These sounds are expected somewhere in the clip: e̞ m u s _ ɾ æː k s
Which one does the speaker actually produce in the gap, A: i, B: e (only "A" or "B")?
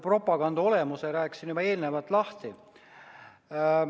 B